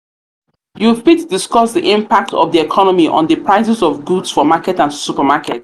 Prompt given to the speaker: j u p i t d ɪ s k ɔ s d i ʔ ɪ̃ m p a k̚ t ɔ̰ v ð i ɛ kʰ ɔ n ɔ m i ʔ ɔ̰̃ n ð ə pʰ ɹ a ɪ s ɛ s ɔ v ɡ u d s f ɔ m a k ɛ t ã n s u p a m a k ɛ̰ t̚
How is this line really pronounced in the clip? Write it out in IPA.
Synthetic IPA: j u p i t d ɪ s k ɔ s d i ʔ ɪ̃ m p a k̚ t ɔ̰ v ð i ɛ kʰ ɔ n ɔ m i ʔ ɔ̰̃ n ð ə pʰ ɹ a ɪ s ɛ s ɔ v ɡ u d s f ɔ m a k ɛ t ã n s u p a m a k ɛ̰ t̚